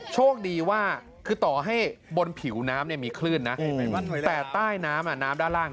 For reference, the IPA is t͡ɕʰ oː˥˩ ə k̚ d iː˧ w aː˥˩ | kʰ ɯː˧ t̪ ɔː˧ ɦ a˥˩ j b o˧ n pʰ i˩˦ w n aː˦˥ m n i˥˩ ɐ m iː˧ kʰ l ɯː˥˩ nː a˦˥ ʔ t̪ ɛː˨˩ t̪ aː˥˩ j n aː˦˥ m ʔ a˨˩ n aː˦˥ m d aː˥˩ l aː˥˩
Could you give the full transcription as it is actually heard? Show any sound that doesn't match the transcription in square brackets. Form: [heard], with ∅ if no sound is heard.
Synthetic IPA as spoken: t͡ɕʰ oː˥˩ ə k̚ d iː˧ w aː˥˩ | kʰ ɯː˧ t̪ [ɔː˨˩] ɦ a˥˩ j b o˧ n pʰ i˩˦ w n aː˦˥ m n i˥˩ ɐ m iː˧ kʰ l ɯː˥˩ nː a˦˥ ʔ t̪ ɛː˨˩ t̪ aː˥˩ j n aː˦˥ m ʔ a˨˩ n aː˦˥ m d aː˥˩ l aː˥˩